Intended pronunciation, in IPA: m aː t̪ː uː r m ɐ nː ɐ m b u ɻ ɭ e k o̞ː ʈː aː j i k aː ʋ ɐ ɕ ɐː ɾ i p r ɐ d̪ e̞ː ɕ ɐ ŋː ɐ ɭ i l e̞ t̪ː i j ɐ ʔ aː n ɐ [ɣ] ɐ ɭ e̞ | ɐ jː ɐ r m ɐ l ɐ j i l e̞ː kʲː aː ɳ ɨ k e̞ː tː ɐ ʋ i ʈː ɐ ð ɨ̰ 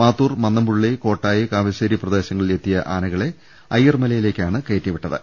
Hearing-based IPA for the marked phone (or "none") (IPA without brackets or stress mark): ɣ